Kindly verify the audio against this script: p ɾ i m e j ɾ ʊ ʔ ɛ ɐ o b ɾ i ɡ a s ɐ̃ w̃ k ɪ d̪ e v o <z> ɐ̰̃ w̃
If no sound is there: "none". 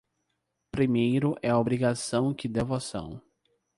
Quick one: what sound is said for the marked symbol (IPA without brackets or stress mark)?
s